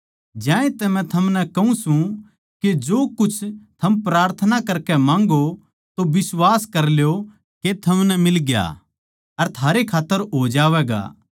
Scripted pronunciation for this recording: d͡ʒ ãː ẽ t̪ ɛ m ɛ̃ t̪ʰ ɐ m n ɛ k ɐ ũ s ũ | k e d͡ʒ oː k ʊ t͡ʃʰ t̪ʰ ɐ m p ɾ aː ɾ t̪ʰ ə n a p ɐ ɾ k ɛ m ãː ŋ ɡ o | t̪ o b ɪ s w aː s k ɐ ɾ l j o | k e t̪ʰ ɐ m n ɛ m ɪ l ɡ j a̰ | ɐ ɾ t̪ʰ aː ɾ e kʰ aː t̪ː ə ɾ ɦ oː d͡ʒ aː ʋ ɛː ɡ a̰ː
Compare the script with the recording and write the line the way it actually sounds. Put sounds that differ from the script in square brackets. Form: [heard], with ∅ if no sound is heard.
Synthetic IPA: d͡ʒ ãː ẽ t̪ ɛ m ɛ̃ t̪ʰ ɐ m n ɛ k ɐ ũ s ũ | k e d͡ʒ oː k ʊ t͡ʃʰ t̪ʰ ɐ m p ɾ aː ɾ t̪ʰ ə n a [k] ɐ ɾ k ɛ m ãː ŋ ɡ o | t̪ o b ɪ s w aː s k ɐ ɾ l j o | k e t̪ʰ ɐ m n ɛ m ɪ l ɡ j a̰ | ɐ ɾ t̪ʰ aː ɾ e kʰ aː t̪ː ə ɾ ɦ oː d͡ʒ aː ʋ ɛː ɡ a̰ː